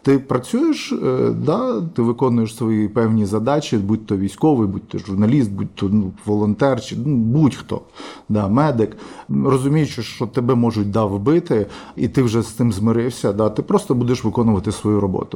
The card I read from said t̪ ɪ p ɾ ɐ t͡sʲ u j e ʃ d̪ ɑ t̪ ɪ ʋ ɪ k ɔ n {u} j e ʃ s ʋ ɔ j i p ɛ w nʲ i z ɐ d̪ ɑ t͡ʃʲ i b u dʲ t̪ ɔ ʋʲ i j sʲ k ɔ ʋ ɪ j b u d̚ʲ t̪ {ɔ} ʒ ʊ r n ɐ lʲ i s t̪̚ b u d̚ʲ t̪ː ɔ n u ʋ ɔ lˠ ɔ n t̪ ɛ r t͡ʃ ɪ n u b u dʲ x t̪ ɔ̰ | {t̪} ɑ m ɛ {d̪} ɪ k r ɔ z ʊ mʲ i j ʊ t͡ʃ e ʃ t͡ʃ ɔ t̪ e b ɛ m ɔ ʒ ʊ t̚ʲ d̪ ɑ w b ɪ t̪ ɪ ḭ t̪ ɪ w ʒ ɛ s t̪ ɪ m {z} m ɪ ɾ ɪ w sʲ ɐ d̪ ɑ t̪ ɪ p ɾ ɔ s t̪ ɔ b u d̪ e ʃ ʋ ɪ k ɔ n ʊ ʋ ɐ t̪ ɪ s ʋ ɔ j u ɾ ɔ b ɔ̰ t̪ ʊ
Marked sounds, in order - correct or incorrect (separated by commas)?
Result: incorrect, correct, incorrect, correct, correct